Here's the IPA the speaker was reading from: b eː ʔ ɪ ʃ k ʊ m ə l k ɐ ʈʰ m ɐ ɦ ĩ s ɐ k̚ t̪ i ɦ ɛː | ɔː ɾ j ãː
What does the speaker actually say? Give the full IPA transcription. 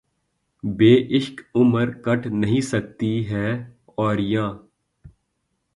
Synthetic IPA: b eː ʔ ɪ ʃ k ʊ m ə ɾ k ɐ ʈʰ n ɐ ɦ ĩ s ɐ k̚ t̪ i ɦ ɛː | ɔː ɾ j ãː